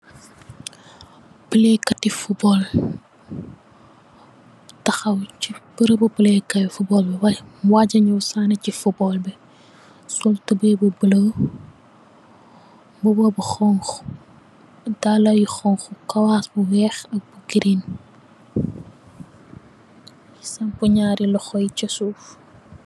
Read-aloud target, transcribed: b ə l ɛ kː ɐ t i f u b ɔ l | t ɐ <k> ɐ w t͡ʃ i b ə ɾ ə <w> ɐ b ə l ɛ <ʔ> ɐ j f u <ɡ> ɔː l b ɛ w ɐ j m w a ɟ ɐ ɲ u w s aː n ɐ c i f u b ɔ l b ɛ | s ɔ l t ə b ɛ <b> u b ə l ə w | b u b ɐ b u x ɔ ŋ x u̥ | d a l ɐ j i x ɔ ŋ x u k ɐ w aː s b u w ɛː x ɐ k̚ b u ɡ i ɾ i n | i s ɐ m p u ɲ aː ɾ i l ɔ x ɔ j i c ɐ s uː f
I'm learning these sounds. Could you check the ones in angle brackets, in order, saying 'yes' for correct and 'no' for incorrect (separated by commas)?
no, no, no, no, yes